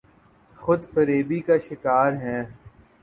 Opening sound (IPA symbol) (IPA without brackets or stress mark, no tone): x